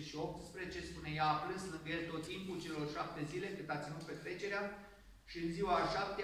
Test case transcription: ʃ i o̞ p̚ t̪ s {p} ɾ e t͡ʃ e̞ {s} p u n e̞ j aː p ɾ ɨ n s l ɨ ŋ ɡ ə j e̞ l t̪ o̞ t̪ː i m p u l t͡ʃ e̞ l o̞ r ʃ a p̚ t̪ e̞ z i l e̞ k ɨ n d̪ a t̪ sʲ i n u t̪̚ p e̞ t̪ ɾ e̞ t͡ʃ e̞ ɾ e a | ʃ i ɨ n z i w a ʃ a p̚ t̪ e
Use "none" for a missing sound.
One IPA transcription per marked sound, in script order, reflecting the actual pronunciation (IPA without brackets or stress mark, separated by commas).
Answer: p, s